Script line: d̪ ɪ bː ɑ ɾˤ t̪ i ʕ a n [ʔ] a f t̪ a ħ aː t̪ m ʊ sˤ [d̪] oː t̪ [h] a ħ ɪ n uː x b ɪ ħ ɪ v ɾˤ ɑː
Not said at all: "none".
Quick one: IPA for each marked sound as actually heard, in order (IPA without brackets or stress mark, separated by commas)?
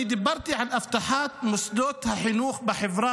ʔ, d̪, h